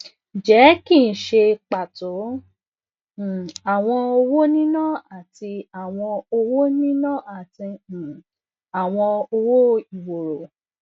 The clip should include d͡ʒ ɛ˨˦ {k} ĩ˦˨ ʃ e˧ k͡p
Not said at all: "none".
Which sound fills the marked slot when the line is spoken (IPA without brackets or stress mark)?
k